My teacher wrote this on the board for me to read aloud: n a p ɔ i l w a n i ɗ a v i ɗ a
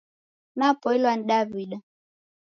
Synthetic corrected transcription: n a p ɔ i l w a n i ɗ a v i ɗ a